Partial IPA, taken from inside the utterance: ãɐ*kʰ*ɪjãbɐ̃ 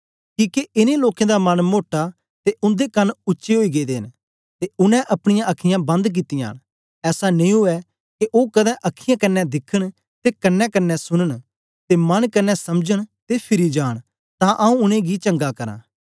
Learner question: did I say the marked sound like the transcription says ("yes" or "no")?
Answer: yes